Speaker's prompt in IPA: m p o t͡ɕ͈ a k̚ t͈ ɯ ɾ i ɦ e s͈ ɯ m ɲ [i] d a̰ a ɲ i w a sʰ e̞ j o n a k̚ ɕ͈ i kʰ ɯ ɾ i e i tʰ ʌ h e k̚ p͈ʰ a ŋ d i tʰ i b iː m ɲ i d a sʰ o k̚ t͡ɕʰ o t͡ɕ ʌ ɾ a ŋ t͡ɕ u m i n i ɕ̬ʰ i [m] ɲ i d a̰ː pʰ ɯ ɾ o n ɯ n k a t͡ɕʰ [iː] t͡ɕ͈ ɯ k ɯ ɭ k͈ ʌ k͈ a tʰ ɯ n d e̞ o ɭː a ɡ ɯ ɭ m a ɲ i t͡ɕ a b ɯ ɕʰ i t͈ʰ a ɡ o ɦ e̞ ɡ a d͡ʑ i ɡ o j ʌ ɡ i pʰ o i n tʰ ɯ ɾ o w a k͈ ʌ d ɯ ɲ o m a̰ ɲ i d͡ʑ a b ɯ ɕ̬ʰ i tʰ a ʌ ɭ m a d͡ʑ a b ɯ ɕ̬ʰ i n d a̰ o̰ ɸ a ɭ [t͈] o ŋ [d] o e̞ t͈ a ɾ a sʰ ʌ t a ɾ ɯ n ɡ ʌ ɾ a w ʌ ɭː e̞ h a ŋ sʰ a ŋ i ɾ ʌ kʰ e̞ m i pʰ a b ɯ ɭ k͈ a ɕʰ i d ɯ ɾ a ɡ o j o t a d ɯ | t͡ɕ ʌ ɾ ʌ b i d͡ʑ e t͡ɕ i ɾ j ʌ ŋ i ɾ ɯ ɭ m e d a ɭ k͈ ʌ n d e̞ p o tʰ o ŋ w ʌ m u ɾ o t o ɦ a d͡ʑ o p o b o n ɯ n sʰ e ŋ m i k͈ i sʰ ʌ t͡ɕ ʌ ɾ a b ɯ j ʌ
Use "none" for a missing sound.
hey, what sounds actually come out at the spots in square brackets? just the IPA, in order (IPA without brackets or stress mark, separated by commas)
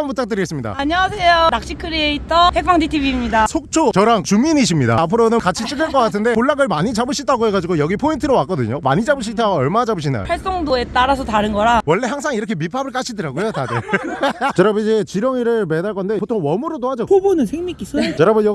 i, m, i, s͈, d